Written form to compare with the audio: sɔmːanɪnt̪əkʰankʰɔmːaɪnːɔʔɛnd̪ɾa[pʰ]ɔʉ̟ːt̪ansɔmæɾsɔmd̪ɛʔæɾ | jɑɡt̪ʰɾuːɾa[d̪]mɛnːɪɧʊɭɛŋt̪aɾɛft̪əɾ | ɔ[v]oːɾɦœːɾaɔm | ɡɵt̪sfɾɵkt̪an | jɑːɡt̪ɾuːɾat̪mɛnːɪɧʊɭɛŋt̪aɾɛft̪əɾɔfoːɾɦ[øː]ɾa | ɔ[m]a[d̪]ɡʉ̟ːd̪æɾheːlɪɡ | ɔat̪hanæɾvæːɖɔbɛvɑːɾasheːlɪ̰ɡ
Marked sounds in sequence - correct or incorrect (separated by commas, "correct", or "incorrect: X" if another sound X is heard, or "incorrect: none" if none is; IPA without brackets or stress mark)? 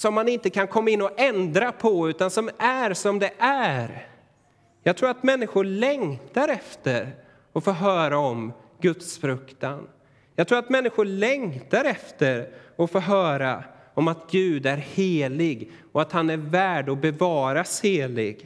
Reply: correct, incorrect: t̪, incorrect: f, incorrect: œː, correct, incorrect: t̪